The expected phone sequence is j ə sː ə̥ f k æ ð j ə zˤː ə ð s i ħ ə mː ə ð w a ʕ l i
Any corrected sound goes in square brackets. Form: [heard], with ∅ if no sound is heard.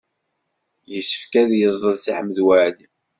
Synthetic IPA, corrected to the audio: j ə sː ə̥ f k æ ð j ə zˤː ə ð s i ħ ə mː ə ð w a ʕ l i